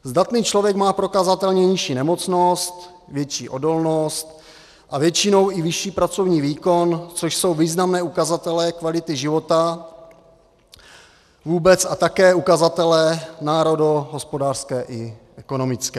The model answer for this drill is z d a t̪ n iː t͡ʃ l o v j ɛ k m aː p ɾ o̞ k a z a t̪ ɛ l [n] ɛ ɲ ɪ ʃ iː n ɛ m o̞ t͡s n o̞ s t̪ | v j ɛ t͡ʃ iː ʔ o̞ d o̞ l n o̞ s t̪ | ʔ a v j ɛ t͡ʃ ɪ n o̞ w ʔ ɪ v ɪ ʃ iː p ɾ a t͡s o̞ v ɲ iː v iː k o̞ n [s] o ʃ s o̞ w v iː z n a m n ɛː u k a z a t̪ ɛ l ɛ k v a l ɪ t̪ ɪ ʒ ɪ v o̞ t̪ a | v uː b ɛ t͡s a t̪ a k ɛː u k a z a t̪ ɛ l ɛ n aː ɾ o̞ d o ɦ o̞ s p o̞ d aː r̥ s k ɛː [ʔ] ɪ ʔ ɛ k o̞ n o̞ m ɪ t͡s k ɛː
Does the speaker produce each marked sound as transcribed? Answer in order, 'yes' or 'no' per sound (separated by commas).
no, no, yes